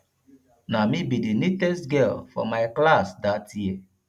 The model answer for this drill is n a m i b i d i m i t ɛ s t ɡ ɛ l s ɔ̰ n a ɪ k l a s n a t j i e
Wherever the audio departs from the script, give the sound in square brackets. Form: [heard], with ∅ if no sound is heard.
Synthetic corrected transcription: n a m i b i d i [n] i t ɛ s t ɡ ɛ l [f] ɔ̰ [m] a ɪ k l a s [d] a t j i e